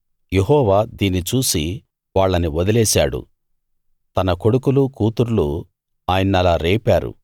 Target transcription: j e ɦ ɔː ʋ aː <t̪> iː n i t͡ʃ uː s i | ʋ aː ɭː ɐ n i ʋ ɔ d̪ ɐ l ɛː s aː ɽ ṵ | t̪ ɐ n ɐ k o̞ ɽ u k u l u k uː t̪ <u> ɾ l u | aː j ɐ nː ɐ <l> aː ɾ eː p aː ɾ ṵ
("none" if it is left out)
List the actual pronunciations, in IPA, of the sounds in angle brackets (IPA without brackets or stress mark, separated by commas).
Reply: d̪, u, l